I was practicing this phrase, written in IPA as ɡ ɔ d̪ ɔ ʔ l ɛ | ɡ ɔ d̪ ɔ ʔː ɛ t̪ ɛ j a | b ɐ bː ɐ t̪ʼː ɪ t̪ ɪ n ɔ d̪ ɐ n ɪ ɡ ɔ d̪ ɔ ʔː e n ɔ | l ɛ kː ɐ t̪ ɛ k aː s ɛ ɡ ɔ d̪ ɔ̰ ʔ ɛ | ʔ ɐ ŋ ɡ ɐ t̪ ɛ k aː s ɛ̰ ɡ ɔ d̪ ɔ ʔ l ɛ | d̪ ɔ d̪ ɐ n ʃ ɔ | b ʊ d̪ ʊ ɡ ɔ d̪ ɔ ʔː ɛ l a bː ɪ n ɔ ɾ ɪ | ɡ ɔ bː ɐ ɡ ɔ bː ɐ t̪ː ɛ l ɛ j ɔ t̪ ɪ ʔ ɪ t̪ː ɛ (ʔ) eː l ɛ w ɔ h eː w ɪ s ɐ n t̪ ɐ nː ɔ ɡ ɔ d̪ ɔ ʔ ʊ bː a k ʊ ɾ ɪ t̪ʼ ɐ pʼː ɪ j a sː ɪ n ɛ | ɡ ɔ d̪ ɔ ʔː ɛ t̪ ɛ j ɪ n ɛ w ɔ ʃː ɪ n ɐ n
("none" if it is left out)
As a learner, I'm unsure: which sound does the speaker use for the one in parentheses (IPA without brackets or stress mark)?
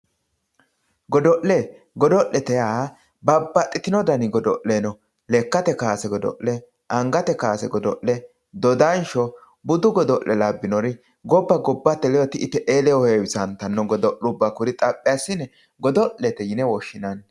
ʔ